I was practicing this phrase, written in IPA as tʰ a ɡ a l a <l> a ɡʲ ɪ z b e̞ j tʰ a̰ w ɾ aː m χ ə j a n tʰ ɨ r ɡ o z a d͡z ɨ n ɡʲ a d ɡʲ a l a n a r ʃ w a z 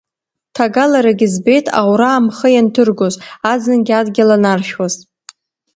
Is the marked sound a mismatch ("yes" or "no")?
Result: yes